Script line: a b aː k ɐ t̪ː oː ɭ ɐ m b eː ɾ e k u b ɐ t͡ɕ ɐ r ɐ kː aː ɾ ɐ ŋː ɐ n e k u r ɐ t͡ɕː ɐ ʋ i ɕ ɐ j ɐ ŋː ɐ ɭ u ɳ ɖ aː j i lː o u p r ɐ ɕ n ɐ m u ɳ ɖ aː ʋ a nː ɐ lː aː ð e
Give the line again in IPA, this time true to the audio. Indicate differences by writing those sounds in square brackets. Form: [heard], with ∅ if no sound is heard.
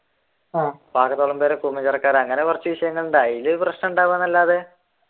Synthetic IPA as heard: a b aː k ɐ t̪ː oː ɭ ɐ m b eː ɾ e k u [m] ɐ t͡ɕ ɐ r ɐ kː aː ɾ ɐ ŋː ɐ n e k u r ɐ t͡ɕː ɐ ʋ i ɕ ɐ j ɐ ŋː ɐ ɭ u ɳ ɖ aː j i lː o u p r ɐ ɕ n ɐ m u ɳ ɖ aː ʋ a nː ɐ lː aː ð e